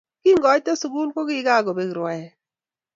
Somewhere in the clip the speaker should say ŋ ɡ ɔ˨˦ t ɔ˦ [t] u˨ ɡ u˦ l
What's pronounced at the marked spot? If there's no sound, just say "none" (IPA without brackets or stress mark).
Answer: s